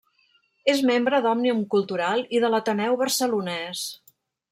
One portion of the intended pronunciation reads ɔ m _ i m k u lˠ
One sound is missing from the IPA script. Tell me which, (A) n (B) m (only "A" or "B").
A